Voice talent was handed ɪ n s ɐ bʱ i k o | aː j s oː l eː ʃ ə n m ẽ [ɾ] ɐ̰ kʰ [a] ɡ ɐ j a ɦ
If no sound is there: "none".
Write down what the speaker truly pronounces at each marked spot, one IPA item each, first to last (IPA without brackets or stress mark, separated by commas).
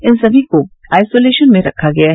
ɾ, a